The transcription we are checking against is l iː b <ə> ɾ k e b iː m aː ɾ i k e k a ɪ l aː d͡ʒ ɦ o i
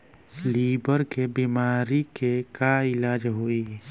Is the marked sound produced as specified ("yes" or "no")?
yes